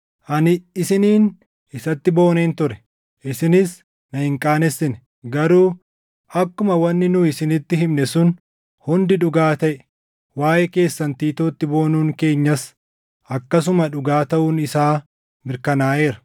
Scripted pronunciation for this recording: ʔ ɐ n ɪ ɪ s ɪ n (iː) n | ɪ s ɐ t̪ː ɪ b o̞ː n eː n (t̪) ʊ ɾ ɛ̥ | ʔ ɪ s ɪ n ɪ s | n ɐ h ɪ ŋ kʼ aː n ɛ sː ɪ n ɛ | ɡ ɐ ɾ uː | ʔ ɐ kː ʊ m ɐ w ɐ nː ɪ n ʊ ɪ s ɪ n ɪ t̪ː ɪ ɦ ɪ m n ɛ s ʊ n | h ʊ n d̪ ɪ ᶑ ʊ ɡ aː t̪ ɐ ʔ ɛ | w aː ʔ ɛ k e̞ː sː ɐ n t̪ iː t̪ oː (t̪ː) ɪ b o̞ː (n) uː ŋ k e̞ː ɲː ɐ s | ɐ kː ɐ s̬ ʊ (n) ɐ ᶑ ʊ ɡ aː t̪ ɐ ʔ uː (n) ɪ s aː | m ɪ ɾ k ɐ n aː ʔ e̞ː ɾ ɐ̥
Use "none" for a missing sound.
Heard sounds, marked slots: iː, t̪, t̪ː, n, m, n

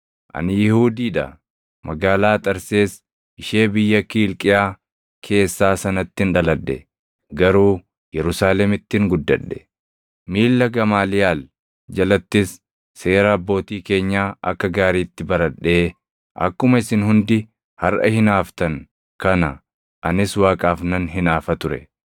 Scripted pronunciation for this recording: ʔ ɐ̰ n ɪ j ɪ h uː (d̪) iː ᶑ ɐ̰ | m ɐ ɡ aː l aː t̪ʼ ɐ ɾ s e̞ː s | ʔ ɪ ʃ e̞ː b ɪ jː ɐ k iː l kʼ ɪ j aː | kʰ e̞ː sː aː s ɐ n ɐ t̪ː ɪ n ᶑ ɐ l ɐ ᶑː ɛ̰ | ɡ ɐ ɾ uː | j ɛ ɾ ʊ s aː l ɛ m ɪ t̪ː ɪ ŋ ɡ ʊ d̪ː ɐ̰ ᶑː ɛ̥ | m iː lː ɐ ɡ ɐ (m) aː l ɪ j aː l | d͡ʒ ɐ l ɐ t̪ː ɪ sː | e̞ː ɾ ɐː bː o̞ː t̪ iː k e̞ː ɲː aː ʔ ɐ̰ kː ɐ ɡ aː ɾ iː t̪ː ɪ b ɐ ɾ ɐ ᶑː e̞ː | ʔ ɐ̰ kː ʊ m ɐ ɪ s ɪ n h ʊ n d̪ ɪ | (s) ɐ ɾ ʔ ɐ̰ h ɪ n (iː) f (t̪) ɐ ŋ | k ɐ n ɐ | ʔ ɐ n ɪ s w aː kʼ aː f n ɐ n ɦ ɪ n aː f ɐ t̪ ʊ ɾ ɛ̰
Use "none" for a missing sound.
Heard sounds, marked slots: d̪, m, h, aː, t̪

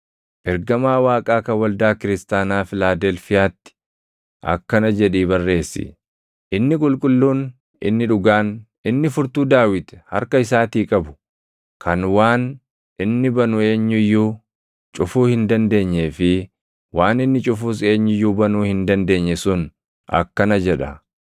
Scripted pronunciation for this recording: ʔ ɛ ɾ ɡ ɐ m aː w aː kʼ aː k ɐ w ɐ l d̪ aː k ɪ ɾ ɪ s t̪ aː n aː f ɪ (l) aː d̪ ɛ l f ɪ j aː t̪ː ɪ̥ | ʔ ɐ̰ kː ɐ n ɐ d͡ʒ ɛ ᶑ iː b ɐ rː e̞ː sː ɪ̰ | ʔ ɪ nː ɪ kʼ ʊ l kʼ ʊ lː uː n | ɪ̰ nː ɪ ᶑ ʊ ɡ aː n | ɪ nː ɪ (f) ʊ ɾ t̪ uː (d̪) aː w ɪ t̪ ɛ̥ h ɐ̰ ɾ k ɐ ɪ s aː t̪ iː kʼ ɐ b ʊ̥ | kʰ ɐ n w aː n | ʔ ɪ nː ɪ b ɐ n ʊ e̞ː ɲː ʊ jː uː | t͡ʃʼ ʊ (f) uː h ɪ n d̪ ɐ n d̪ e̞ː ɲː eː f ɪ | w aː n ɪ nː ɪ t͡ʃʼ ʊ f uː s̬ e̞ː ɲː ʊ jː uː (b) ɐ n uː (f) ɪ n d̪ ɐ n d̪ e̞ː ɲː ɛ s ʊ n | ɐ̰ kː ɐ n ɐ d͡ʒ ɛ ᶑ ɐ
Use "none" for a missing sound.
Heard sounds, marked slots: l, f, d̪, f, b, h

